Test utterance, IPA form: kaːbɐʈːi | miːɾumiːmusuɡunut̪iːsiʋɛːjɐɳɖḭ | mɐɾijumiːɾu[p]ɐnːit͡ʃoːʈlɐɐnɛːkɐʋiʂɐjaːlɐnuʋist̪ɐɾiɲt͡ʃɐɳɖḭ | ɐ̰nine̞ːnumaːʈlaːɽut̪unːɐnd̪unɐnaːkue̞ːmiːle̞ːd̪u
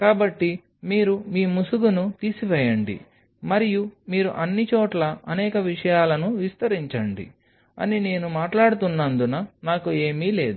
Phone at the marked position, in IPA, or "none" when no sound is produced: ʔ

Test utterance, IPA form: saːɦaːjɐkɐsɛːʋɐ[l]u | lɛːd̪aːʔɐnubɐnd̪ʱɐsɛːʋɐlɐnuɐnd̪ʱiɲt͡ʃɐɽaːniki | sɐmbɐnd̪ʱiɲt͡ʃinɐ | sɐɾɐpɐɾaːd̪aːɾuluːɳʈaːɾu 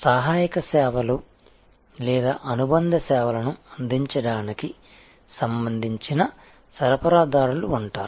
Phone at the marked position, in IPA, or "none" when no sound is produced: l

